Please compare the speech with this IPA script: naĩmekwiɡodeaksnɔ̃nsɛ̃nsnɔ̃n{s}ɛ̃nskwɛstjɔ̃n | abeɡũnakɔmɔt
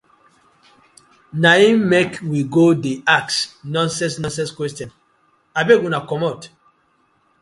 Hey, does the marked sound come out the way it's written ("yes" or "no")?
yes